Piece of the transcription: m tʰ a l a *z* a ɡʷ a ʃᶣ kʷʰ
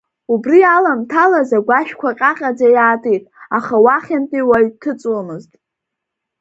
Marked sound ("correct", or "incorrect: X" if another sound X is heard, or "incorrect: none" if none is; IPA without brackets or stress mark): correct